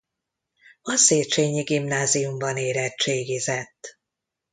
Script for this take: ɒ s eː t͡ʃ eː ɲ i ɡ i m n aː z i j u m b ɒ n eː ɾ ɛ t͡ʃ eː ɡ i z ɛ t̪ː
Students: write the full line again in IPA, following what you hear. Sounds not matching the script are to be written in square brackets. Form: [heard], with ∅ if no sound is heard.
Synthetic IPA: ɒ s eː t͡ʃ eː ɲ i ɡ i m n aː z i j u m b ɒ n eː ɾ ɛ t͡ʃ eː ɡ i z ɛ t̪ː